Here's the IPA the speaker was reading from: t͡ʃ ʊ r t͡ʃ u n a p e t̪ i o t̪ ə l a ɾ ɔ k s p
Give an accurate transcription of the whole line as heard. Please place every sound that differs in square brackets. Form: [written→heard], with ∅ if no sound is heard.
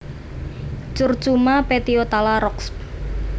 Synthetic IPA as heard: t͡ʃ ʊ r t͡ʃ u [n→m] a p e t̪ i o t̪ [ə→a] l a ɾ ɔ k s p